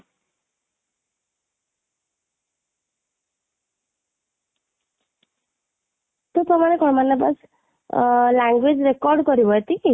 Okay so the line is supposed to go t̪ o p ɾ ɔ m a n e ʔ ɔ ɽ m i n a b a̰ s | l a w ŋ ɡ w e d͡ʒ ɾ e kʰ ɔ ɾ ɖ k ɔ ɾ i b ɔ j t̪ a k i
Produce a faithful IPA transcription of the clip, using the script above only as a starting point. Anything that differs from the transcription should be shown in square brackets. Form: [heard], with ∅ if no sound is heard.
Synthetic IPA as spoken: t̪ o p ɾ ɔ m a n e [k] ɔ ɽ m [a] n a b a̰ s | l a [∅] ŋ ɡ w e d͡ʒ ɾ e [k] ɔ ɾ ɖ k ɔ ɾ i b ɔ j t̪ [i] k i